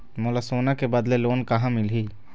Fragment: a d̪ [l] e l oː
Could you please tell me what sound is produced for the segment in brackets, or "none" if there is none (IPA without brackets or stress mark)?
l